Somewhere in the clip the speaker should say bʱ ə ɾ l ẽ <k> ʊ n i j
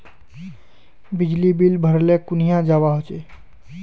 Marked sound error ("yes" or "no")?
no